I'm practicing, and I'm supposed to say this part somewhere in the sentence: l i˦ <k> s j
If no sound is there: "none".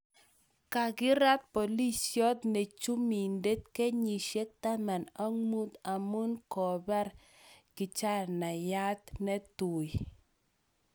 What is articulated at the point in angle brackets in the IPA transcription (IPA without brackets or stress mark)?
none